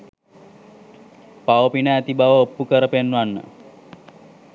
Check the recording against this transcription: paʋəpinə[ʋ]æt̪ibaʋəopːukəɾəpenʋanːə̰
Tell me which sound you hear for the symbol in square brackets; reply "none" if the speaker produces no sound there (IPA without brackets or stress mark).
none